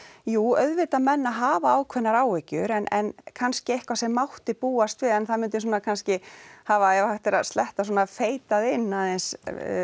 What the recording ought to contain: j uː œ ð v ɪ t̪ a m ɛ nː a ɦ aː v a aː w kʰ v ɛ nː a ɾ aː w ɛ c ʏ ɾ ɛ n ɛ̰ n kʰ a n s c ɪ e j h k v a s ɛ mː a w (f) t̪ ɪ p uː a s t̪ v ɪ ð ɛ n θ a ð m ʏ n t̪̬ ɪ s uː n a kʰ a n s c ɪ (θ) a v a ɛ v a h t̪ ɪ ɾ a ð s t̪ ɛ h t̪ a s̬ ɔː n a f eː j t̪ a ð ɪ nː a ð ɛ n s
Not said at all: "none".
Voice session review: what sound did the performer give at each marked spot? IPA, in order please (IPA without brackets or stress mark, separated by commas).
h, h